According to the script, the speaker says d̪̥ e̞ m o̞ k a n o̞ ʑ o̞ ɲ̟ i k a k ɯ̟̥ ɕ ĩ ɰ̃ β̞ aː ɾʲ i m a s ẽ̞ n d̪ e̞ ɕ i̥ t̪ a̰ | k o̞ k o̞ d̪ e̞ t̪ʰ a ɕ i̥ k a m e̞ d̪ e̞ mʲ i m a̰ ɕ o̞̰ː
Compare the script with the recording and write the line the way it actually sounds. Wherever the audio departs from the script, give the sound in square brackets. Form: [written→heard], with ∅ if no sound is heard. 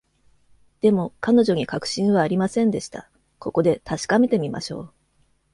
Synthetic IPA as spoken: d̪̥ e̞ m o̞ k a n o̞ ʑ o̞ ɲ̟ i k a k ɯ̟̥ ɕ ĩ ɰ̃ β̞ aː ɾʲ i m a s ẽ̞ n d̪ e̞ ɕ i̥ t̪ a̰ | k o̞ k o̞ d̪ e̞ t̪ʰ a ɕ i̥ k a m e̞ [d̪→t̪] e̞ mʲ i m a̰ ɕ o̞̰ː

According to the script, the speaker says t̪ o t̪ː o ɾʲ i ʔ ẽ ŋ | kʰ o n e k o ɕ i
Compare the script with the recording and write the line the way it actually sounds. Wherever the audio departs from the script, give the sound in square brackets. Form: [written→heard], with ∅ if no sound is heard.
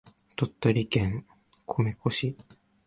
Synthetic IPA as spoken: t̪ o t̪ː o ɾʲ i [ʔ→k] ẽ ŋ | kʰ o [n→m] e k o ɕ i

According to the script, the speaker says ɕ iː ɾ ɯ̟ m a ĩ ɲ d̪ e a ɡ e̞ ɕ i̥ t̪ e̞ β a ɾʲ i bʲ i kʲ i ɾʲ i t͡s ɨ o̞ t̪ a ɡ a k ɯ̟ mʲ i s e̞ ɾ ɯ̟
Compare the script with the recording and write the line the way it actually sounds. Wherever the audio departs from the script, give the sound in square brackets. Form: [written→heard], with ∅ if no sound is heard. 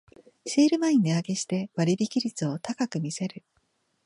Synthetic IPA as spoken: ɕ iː ɾ ɯ̟ m a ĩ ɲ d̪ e a ɡ e̞ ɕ i̥ t̪ e̞ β a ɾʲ i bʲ i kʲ i ɾʲ i t͡s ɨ o̞ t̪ a [ɡ→k] a k ɯ̟ mʲ i s e̞ ɾ ɯ̟

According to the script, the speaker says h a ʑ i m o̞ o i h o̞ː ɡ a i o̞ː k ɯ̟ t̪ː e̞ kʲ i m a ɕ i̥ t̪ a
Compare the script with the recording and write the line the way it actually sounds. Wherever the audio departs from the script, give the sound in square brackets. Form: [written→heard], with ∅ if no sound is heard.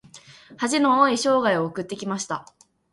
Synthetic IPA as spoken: h a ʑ i [m→n] o̞ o i [h→ɕ] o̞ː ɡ a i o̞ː k ɯ̟ t̪ː e̞ kʲ i m a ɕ i̥ t̪ a

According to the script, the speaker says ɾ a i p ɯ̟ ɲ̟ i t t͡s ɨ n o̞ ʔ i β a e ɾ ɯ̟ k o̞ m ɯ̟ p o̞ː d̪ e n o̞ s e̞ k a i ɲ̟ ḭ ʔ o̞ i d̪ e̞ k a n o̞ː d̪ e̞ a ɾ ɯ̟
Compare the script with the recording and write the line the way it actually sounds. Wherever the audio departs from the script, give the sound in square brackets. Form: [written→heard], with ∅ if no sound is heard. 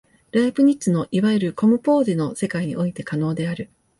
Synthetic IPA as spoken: ɾ a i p ɯ̟ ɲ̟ i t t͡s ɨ n o̞ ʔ i β a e ɾ ɯ̟ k o̞ m ɯ̟ p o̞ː d̪ e n o̞ s e̞ k a i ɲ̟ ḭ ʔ o̞ i [d̪→t̪] e̞ k a n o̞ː d̪ e̞ a ɾ ɯ̟

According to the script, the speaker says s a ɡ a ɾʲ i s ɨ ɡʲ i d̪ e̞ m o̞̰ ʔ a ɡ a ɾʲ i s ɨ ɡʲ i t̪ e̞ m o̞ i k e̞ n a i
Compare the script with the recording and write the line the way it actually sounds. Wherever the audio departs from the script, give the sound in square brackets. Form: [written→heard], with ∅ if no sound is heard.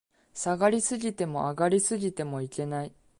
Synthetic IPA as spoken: s a ɡ a ɾʲ i s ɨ ɡʲ i [d̪→t̪] e̞ m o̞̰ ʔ a ɡ a ɾʲ i s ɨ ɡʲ i t̪ e̞ m o̞ i k e̞ n a i

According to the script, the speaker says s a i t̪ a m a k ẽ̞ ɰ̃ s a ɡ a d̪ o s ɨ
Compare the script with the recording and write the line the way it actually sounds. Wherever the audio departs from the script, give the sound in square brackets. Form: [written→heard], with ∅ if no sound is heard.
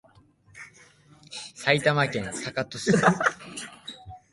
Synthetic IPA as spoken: s a i t̪ a m a k ẽ̞ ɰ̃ s a [ɡ→k] a [d̪→t̪] o s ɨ

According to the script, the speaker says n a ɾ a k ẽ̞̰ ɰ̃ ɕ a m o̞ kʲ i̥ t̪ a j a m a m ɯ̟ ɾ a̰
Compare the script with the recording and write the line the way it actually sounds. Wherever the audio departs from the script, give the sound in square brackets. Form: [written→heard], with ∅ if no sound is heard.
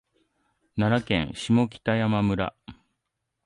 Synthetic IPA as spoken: n a ɾ a k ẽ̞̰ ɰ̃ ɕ [a→i] m o̞ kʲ i̥ t̪ a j a m a m ɯ̟ ɾ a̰

